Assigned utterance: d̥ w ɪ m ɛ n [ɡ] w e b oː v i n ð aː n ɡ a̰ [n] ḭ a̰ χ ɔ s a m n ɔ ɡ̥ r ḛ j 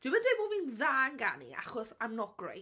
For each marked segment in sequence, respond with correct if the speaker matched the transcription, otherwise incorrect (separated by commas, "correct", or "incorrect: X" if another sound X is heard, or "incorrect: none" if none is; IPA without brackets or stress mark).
incorrect: d, correct